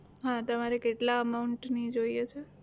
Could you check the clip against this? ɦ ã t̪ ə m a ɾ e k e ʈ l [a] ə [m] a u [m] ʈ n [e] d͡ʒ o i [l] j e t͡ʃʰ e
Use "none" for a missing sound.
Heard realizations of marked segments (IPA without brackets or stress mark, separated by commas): a, m, ɳ, i, none